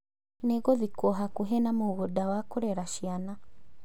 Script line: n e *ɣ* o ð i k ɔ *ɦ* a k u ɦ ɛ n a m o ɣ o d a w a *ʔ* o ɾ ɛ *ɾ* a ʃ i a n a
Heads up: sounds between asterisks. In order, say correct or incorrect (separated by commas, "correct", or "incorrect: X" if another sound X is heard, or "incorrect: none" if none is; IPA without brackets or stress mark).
correct, correct, incorrect: k, correct